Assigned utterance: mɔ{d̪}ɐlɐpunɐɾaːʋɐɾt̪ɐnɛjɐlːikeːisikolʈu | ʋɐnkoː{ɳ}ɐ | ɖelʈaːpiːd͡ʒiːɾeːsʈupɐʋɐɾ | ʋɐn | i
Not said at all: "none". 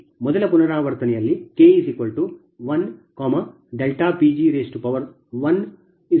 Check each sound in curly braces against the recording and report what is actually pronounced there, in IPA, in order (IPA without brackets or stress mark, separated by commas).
d̪, m